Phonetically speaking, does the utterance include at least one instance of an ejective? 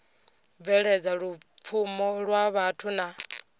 no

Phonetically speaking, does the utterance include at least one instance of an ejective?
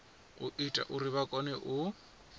yes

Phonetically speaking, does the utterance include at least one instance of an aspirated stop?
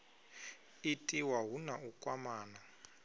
no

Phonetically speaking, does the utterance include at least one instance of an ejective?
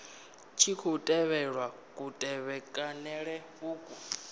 yes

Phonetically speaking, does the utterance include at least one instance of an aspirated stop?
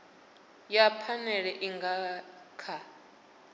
yes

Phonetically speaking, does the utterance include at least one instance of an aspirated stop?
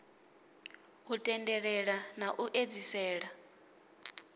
no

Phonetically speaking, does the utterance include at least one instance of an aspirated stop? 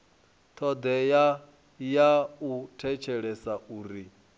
yes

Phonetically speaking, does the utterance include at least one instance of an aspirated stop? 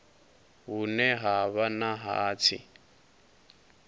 yes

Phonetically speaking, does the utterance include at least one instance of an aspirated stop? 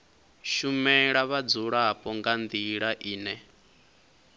no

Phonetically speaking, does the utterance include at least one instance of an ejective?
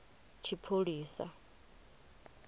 no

